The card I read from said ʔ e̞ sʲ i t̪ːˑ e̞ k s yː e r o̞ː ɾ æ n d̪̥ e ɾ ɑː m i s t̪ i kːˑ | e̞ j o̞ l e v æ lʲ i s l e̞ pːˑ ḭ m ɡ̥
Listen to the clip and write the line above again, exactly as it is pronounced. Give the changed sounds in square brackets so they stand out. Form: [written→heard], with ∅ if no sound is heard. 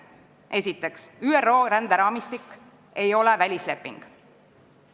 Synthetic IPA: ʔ e̞ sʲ i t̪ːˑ e̞ k s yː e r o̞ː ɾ æ n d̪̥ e ɾ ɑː m i s t̪ i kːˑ | e̞ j o̞ l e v æ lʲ i s l e̞ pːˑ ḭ [m→ŋ] ɡ̥